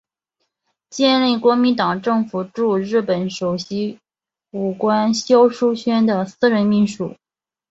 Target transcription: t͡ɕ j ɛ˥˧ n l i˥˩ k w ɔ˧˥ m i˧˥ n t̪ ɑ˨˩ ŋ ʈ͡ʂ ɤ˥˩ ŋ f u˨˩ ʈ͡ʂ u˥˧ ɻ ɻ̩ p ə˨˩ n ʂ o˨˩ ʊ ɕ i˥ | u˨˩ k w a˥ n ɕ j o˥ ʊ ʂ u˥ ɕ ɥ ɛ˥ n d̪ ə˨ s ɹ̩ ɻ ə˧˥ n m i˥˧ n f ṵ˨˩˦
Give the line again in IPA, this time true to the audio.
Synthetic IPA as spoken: t͡ɕ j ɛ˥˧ n l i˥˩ k w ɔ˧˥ m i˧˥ n t̪ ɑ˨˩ ŋ ʈ͡ʂ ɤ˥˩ ŋ f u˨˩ ʈ͡ʂ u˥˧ ɻ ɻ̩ p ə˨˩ n ʂ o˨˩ ʊ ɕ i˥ | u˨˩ k w a˥ n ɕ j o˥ ʊ ʂ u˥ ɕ ɥ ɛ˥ n d̪ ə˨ s ɹ̩ ɻ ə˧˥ n m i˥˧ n ʂ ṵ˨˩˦

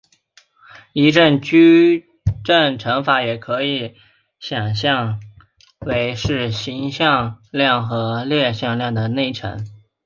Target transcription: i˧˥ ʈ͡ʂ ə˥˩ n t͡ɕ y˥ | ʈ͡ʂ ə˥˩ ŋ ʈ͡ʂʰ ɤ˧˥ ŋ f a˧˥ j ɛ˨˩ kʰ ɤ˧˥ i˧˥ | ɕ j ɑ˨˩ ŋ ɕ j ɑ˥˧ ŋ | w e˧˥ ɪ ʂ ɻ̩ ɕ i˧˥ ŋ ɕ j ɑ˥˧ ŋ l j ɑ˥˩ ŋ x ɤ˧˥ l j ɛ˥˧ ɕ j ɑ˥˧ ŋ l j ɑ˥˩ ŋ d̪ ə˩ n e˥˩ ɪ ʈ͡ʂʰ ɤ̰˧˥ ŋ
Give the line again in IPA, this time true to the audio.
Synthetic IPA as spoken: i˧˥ ʈ͡ʂ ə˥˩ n t͡ɕ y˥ | ʈ͡ʂ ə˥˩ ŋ ʈ͡ʂʰ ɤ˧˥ ŋ f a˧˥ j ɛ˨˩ kʰ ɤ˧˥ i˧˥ | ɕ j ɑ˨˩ ŋ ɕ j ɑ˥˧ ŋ | w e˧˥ ɪ ʂ ɻ̩ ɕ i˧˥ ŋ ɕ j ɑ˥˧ ŋ l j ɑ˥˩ ŋ x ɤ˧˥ l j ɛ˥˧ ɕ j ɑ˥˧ ŋ l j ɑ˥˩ ŋ d̪ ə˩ n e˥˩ ɪ ʈ͡ʂʰ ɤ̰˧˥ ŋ

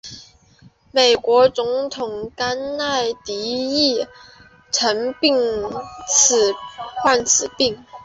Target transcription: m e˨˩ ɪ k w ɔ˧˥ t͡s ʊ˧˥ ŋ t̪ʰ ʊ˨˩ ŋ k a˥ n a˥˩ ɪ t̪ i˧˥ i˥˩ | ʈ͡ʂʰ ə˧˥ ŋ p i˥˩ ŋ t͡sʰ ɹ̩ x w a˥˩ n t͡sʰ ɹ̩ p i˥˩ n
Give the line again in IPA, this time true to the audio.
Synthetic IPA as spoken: m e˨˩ ɪ k w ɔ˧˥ t͡s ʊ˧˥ ŋ t̪ʰ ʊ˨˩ ŋ k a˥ n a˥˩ ɪ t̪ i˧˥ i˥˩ | ʈ͡ʂʰ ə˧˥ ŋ p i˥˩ ŋ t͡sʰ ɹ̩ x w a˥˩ n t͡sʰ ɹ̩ p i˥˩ ŋ

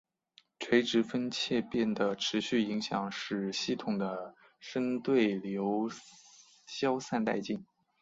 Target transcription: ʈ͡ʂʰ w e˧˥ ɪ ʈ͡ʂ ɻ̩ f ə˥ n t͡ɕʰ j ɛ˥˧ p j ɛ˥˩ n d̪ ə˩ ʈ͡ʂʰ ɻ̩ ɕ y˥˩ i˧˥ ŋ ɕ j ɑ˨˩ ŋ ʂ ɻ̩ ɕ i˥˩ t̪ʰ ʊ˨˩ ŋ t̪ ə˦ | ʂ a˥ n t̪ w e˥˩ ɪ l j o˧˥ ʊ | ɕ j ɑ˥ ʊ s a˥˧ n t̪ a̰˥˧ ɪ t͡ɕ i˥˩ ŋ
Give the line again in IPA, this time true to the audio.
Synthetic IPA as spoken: ʈ͡ʂʰ w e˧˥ ɪ ʈ͡ʂ ɻ̩ f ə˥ n t͡ɕʰ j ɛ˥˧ p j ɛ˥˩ n d̪ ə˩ ʈ͡ʂʰ ɻ̩ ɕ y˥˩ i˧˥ ŋ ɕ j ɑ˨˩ ŋ ʂ ɻ̩ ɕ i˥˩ t̪ʰ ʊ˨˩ ŋ d̪ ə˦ | ʂ ə˥ n t̪ w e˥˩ ɪ l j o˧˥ ʊ | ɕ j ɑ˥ ʊ s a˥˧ n t̪ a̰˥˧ ɪ t͡ɕ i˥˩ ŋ

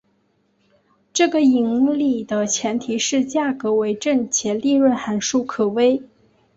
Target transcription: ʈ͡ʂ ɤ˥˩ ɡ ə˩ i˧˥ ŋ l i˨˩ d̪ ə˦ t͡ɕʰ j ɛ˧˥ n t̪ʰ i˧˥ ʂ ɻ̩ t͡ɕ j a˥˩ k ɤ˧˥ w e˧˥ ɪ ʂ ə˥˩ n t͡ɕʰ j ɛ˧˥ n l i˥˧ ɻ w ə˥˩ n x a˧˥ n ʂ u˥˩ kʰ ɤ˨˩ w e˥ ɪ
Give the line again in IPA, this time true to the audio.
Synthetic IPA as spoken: ʈ͡ʂ ɤ˥˩ ɡ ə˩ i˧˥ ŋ l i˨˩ d̪ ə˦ t͡ɕʰ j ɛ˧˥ n t̪ʰ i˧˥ ʂ ɻ̩ t͡ɕ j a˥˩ k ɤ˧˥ w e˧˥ ɪ ʈ͡ʂ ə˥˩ n t͡ɕʰ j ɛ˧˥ n l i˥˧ ɻ w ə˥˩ n x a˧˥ n ʂ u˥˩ kʰ ɤ˨˩ w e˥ ɪ

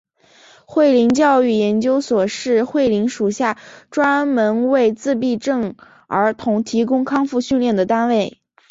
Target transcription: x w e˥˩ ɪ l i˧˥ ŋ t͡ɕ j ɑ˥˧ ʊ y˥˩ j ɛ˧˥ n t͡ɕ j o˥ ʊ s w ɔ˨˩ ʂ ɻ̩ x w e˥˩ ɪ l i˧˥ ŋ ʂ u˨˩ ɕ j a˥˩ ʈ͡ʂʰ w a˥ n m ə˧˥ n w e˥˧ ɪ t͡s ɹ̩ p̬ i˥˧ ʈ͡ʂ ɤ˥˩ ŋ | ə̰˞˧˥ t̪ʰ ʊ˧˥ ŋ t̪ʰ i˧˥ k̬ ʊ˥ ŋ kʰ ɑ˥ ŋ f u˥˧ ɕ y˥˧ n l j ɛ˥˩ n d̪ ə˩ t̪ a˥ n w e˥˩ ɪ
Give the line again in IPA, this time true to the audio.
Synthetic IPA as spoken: x w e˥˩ ɪ l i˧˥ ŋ t͡ɕ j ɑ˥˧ ʊ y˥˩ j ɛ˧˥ n t͡ɕ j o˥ ʊ s w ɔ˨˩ ʂ ɻ̩ x w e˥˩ ɪ l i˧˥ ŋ ʂ u˨˩ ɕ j a˥˩ ʈ͡ʂ w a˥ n m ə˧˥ n w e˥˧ ɪ t͡s ɹ̩ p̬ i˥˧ ʈ͡ʂ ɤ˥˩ ŋ | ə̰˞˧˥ t̪ʰ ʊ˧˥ ŋ t̪ʰ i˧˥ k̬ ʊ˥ ŋ kʰ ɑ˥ ŋ f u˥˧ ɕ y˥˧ n l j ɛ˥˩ n d̪ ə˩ t̪ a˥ n w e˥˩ ɪ

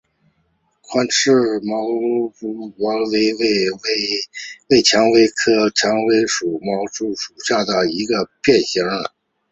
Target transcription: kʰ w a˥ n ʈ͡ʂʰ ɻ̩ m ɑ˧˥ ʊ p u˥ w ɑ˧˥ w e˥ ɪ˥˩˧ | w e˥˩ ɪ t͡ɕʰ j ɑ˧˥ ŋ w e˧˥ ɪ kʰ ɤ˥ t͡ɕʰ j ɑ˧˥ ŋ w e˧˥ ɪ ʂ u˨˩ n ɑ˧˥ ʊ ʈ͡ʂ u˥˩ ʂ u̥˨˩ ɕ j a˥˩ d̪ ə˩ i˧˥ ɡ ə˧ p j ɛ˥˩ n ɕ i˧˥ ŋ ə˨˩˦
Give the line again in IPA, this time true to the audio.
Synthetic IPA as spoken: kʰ w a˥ n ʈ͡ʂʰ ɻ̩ m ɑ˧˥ ʊ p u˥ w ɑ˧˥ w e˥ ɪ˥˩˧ | w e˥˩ ɪ t͡ɕʰ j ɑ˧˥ ŋ w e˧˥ ɪ kʰ ɤ˥ t͡ɕʰ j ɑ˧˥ ŋ w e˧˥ ɪ ʂ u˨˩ m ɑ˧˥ ʊ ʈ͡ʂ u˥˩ ʂ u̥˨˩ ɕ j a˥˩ d̪ ə˩ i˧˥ ɡ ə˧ p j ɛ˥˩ n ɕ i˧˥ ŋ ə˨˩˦

